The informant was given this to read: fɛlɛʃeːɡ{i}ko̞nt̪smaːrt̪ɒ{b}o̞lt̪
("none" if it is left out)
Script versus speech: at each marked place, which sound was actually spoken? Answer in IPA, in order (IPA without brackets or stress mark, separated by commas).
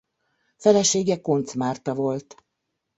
ɛ, v